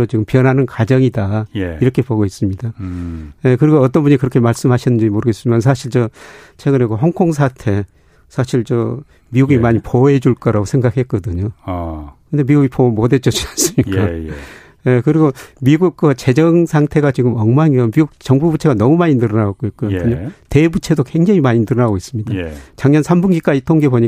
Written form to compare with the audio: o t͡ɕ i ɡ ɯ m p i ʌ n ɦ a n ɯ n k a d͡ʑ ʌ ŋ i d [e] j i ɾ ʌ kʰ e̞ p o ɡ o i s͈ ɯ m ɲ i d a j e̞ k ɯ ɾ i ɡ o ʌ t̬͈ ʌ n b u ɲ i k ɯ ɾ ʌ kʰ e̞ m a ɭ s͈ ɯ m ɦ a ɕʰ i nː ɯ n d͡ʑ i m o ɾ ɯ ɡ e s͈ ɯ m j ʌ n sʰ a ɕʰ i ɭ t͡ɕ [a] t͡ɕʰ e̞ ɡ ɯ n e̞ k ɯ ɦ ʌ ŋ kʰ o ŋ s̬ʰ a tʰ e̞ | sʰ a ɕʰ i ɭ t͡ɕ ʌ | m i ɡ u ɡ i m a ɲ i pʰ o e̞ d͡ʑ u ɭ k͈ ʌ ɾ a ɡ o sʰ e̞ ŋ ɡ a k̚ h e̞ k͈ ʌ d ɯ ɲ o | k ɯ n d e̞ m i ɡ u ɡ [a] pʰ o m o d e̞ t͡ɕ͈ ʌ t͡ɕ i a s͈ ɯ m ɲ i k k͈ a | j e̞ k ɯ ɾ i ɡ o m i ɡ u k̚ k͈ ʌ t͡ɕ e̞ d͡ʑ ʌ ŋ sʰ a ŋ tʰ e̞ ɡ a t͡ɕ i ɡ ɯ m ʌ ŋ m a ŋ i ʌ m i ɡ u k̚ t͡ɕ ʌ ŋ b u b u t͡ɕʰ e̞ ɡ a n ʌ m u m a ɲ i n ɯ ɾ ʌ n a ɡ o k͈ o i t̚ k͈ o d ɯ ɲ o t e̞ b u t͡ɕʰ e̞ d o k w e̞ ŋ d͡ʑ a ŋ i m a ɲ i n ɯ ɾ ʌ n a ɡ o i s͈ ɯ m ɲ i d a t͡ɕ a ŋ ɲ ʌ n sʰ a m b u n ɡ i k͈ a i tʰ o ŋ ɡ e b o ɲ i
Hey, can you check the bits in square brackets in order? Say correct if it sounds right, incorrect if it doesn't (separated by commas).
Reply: incorrect, incorrect, incorrect